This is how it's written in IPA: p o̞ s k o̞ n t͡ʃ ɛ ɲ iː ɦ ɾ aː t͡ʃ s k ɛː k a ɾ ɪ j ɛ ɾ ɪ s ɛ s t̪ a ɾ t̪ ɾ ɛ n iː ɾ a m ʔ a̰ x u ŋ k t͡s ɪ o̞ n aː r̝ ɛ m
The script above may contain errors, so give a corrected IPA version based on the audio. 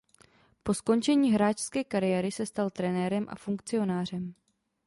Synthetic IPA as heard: p o̞ s k o̞ n t͡ʃ ɛ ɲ iː ɦ ɾ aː t͡ʃ s k ɛː k a ɾ ɪ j ɛ ɾ ɪ s ɛ s t̪ a l t̪ ɾ ɛ n ɛː ɾ ɛ m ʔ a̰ f u ŋ k t͡s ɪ o̞ n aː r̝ ɛ m